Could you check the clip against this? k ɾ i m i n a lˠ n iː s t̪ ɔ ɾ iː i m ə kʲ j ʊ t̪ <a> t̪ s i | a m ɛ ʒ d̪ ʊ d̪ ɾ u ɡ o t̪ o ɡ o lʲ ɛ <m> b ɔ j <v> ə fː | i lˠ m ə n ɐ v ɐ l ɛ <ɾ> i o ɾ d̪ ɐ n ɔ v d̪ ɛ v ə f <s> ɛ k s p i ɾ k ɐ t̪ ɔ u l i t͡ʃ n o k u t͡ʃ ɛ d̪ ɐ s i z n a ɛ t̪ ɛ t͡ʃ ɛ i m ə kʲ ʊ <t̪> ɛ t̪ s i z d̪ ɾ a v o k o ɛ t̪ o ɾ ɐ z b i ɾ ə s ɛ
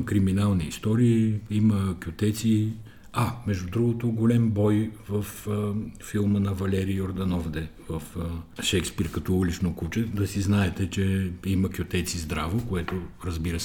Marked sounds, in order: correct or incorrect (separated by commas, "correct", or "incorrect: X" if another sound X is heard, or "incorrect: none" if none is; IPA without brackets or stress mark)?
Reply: incorrect: ɛ, correct, correct, correct, incorrect: ʃ, correct